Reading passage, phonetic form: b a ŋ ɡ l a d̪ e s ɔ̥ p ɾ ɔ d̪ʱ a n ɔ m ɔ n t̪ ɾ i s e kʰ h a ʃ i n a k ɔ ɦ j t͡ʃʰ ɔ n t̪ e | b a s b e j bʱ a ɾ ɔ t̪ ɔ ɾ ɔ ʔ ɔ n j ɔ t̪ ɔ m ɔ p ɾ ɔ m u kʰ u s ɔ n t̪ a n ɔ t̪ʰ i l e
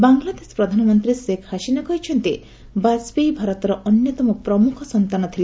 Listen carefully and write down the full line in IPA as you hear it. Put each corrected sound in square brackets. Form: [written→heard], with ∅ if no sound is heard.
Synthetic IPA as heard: b a ŋ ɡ l a d̪ e s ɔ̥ p ɾ ɔ d̪ʱ a n ɔ m ɔ n t̪ ɾ i s e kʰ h a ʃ i n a k ɔ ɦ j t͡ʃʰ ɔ n t̪ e | b a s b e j bʱ a ɾ ɔ t̪ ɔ ɾ ɔ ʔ ɔ n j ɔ t̪ ɔ m ɔ p ɾ ɔ m u kʰ [u→ɔ] s ɔ n t̪ a n ɔ t̪ʰ i l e

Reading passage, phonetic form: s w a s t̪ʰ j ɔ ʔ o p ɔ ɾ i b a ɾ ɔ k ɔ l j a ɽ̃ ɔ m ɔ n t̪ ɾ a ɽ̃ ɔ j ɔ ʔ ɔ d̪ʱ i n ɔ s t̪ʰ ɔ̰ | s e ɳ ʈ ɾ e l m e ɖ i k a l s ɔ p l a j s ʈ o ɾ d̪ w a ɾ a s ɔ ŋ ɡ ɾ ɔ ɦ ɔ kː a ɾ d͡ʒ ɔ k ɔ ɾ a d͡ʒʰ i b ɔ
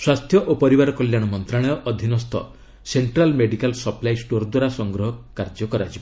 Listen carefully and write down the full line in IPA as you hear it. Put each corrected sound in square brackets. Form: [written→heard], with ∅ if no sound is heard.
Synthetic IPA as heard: s w a s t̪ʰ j ɔ ʔ o p ɔ ɾ i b a ɾ ɔ k ɔ l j a ɽ̃ ɔ m ɔ n t̪ ɾ a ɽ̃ ɔ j ɔ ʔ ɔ d̪ʱ i n ɔ s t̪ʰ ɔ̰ | s e ɳ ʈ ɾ [e→a] l m e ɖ i k a l s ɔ p l a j s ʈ o ɾ d̪ w a ɾ a s ɔ ŋ ɡ ɾ ɔ ɦ ɔ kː a ɾ d͡ʒ ɔ k ɔ ɾ a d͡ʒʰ i b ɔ

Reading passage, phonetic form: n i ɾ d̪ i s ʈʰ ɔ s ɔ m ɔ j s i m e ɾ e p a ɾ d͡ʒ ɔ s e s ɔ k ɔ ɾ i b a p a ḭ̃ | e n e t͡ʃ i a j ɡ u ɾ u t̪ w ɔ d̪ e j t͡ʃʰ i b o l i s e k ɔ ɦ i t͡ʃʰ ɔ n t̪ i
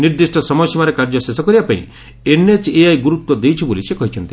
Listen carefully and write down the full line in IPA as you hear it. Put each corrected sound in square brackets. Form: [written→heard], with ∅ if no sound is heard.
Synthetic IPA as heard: n i ɾ d̪ i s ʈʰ ɔ s ɔ m ɔ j s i m [e→a] ɾ e [p→k] a ɾ d͡ʒ ɔ s e s ɔ k ɔ ɾ i b a p a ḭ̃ | e n e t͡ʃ [i→e] a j ɡ u ɾ u t̪ w ɔ d̪ e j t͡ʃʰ i b o l i s e k ɔ ɦ i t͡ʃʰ ɔ n t̪ i

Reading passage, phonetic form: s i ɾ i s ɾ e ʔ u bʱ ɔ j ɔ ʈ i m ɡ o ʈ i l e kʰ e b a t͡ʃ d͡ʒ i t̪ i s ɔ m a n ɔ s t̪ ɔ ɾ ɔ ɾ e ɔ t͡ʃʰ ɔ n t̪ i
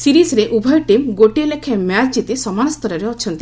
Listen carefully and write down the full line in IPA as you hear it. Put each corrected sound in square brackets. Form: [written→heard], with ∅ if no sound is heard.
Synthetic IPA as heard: s i ɾ i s ɾ e ʔ u bʱ ɔ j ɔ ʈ i m ɡ o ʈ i l e kʰ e [b→m] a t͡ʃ d͡ʒ i t̪ i s ɔ m a n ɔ s t̪ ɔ ɾ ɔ ɾ e ɔ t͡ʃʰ ɔ n t̪ i

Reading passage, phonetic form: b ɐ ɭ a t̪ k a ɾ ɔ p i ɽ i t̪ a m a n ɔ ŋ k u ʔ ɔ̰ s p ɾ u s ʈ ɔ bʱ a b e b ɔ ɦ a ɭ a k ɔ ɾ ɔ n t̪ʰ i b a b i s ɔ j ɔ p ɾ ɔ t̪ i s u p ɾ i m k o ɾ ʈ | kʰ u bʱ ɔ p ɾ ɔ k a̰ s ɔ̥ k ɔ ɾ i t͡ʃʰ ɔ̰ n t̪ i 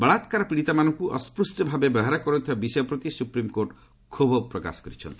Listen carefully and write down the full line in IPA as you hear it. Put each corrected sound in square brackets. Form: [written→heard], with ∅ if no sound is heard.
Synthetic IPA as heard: b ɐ ɭ a t̪ k a ɾ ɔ p i ɽ i t̪ a m a n ɔ ŋ k u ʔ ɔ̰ s p ɾ u s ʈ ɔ bʱ a b e b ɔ ɦ a [ɭ→ɾ] a k ɔ ɾ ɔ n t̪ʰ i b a b i s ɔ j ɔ p ɾ ɔ t̪ i s u p ɾ i m k o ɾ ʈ | kʰ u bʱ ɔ p ɾ ɔ k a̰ s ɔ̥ k ɔ ɾ i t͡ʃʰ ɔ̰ n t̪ i

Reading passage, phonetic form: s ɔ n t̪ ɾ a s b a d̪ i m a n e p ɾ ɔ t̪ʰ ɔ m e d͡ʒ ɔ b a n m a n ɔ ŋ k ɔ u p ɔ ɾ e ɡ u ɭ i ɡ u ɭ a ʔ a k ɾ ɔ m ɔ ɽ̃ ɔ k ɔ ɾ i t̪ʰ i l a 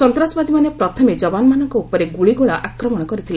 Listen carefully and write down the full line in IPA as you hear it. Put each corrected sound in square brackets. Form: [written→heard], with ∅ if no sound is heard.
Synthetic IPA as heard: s ɔ n t̪ ɾ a s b a d̪ i m a n e p ɾ ɔ t̪ʰ ɔ m e d͡ʒ ɔ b a n m a n ɔ ŋ k ɔ u p ɔ ɾ e ɡ u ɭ i ɡ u ɭ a ʔ a k ɾ ɔ m ɔ ɽ̃ ɔ k ɔ ɾ i t̪ʰ i l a

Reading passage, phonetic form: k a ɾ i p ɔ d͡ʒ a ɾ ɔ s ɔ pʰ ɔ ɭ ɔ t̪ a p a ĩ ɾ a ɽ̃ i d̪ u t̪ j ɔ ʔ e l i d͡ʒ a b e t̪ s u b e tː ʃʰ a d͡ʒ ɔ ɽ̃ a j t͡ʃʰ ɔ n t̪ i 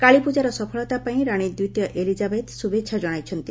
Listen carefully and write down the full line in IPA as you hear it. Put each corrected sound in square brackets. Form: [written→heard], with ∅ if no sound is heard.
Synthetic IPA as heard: k a [ɾ→ɭ] i p [ɔ→u] d͡ʒ a ɾ ɔ s ɔ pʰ ɔ ɭ ɔ t̪ a p a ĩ ɾ a ɽ̃ i d̪ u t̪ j ɔ ʔ e l i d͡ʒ a b e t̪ s u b e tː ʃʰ a d͡ʒ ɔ ɽ̃ a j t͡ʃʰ ɔ n t̪ i

